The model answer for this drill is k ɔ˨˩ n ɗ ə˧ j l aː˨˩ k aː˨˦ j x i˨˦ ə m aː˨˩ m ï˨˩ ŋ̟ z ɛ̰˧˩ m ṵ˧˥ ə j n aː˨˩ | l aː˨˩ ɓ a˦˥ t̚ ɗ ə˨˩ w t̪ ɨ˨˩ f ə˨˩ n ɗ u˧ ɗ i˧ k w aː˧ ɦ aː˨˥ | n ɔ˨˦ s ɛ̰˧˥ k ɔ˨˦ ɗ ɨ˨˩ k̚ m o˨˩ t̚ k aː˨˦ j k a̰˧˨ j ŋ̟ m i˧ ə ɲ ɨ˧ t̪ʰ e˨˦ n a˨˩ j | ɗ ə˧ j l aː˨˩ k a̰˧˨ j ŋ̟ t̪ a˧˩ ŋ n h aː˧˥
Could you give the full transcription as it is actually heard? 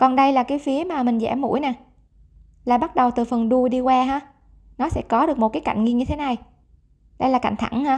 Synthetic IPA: k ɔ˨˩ n ɗ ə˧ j l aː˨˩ k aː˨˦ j f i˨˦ ə m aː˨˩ m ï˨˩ ŋ̟ z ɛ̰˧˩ m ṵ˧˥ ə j n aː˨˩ | l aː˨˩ ɓ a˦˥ t̚ ɗ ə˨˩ w t̪ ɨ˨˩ f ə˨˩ n ɗ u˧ ɗ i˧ k w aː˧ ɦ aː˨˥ | n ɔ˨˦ s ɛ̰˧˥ k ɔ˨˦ ɗ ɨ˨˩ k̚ m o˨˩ t̚ k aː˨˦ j k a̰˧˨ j ŋ̟ ŋ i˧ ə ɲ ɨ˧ t̪ʰ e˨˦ n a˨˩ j | ɗ ə˧ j l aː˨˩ k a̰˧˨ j ŋ̟ t̪ʰ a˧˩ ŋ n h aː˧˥